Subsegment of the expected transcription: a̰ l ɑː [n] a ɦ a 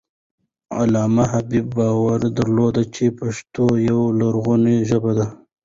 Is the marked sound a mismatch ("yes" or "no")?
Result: yes